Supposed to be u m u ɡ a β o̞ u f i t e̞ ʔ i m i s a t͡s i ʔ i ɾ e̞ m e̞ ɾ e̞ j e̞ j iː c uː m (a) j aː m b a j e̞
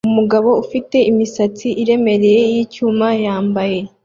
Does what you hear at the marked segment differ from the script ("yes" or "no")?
no